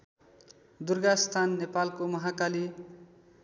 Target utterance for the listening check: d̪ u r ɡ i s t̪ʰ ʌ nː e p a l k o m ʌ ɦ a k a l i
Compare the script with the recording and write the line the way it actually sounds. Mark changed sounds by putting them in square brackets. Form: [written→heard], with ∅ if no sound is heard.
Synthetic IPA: d̪ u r ɡ [i→a] s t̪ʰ [ʌ→a] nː e p a l k o m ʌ ɦ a k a l i